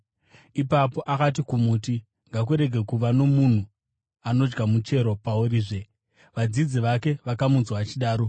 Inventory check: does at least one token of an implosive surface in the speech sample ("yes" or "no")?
yes